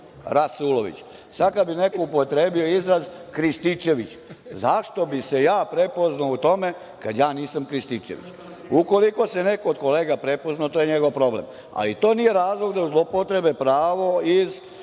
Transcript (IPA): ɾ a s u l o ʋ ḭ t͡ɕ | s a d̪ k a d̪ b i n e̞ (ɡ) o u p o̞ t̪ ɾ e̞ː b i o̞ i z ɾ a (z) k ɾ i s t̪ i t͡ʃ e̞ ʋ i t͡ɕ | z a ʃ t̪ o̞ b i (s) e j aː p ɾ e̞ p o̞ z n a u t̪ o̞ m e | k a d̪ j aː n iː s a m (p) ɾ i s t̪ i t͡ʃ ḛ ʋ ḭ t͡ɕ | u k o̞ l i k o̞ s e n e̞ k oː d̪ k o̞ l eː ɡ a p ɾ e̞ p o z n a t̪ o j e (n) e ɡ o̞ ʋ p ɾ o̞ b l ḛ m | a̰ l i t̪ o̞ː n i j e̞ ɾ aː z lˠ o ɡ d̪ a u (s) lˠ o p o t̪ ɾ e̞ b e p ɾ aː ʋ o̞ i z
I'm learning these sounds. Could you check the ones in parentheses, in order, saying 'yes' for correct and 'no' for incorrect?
no, yes, yes, no, no, no

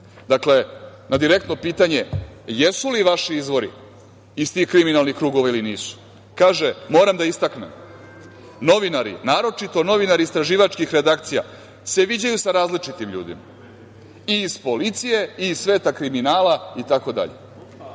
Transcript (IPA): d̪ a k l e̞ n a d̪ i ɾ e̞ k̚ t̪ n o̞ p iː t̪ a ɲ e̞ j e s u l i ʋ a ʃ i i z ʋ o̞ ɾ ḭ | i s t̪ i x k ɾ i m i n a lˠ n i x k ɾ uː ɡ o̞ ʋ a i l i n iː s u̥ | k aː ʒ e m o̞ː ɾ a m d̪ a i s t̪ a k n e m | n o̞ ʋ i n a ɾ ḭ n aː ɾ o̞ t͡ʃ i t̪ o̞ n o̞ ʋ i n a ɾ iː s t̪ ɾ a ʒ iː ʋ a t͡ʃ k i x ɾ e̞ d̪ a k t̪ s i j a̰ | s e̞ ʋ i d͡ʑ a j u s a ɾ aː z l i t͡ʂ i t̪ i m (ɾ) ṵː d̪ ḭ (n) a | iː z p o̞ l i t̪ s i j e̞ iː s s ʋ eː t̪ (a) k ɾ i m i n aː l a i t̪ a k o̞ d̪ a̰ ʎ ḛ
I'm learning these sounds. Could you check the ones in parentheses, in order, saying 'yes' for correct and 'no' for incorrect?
no, no, yes

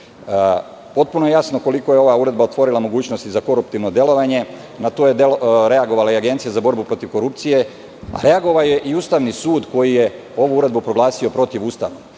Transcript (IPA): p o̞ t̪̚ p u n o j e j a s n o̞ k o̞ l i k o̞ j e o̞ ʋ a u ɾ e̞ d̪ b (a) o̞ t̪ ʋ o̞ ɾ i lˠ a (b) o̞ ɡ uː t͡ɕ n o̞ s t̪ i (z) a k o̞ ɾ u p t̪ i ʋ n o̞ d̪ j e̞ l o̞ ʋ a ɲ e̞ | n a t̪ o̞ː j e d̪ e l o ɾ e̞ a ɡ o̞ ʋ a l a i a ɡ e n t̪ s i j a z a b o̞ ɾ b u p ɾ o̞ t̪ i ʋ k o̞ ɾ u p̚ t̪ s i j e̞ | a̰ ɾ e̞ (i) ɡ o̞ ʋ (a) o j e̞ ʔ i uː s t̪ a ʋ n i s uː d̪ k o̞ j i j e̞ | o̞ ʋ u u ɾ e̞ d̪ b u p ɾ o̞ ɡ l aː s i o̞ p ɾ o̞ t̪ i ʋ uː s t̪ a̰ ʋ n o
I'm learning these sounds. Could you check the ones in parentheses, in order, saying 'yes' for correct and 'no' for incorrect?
yes, no, yes, no, yes

